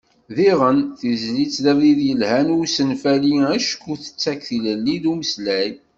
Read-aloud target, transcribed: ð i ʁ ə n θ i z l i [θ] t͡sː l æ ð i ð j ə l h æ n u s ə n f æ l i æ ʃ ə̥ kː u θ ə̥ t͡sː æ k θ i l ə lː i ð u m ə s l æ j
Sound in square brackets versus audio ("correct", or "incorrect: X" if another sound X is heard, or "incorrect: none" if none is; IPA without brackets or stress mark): incorrect: none